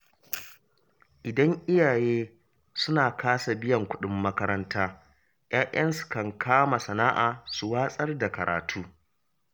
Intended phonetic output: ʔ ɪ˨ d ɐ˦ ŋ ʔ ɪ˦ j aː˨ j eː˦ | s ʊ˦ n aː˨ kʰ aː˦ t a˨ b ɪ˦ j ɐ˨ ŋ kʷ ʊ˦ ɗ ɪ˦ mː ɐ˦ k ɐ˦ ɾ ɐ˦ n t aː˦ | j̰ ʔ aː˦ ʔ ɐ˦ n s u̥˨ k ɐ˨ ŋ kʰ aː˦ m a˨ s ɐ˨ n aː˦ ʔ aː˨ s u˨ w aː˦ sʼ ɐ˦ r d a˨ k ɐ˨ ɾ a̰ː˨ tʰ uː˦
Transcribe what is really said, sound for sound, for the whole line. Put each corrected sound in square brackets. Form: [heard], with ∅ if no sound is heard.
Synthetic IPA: ʔ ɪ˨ d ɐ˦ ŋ ʔ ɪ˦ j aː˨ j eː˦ | s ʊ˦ n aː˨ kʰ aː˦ [s] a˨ b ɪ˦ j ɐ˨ ŋ kʷ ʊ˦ ɗ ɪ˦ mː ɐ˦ k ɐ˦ ɾ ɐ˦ n t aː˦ | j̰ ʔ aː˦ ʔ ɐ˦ n s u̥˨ k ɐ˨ ŋ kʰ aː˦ m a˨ s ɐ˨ n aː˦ ʔ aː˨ s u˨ w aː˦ sʼ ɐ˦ r d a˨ k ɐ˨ ɾ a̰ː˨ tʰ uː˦